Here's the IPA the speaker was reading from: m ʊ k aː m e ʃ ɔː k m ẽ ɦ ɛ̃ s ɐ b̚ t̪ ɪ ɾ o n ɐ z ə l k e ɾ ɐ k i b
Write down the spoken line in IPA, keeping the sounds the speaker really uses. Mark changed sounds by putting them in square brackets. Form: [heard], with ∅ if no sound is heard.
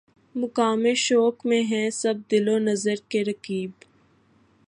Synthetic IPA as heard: m ʊ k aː m e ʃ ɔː k m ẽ ɦ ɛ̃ s ɐ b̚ [d̪] ɪ [l] o n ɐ z ə [ɾ] k e ɾ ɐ k [iː] b